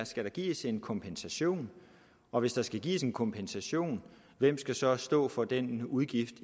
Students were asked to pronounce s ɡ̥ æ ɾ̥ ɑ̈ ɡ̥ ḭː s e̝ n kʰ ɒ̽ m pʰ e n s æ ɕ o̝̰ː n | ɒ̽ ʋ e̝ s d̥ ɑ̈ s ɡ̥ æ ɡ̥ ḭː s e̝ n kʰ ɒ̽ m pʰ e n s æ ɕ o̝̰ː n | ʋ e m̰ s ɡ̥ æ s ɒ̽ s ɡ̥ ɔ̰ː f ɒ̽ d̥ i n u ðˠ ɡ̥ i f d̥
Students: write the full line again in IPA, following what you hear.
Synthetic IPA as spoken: s ɡ̥ æ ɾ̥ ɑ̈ ɡ̥ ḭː s e̝ n kʰ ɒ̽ m pʰ e n s æ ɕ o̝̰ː n | ɒ̽ ʋ e̝ s d̥ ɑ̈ s ɡ̥ æ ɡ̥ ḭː s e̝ n kʰ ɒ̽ m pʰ e n s æ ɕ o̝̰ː n | ʋ e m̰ s ɡ̥ æ s ɒ̽ s d̥ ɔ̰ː f ɒ̽ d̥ e n u ðˠ ɡ̥ i f d̥